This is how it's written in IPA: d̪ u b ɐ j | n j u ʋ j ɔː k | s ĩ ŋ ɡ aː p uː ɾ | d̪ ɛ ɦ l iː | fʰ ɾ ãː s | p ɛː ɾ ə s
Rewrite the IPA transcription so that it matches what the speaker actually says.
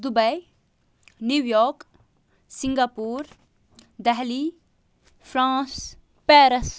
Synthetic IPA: d̪ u b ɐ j | n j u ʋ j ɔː k | s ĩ ŋ ɡ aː p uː ɾ | d̪ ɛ ɦ l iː | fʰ ɾ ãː s | p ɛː ɾ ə s